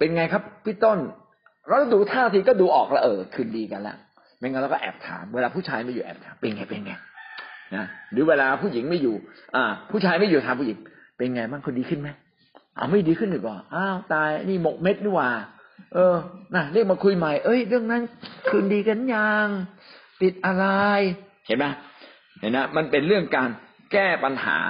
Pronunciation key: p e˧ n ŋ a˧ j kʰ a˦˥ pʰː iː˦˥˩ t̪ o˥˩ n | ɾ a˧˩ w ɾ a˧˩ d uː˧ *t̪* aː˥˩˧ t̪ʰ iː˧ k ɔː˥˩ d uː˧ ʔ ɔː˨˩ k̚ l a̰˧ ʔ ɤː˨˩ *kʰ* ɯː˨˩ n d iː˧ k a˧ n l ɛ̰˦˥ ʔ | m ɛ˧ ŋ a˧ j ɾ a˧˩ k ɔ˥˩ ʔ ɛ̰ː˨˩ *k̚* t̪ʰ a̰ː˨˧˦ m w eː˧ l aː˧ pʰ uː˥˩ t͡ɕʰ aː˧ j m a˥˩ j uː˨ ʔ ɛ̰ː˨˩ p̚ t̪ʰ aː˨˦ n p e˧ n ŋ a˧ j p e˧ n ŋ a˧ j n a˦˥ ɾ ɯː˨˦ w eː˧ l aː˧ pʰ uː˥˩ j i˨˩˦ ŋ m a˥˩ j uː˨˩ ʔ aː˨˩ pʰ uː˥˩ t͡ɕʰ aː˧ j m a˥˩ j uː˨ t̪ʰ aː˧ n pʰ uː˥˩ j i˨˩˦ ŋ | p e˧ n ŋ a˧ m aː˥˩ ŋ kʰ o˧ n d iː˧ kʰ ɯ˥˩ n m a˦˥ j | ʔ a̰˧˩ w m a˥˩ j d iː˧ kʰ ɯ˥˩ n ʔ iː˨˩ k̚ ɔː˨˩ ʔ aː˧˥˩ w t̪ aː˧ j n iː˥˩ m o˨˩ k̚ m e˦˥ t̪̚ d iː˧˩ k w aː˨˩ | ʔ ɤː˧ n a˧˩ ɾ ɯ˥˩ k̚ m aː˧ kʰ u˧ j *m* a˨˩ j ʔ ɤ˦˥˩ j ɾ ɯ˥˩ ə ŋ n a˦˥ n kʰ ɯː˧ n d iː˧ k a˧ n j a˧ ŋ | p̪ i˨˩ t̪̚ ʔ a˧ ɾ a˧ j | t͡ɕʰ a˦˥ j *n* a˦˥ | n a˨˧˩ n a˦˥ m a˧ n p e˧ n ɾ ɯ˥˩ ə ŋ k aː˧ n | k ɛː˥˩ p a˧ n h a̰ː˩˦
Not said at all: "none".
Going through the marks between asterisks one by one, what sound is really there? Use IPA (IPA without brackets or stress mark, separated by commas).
t̪ʰ, kʰ, p̚, m, m